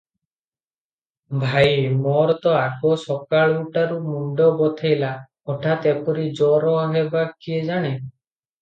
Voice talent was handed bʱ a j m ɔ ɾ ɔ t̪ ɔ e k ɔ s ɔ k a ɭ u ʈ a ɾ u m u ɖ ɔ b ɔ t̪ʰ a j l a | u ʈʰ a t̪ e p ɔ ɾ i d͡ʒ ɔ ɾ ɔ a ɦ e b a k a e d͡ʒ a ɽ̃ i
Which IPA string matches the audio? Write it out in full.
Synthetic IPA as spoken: bʱ a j m ɔ ɾ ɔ t̪ ɔ a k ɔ s ɔ k a ɭ u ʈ a ɾ u m u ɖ ɔ b ɔ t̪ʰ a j l a | ɔ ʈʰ a t̪ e p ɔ ɾ i d͡ʒ ɔ ɾ ɔ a ɦ e b a k i e d͡ʒ a ɽ̃ e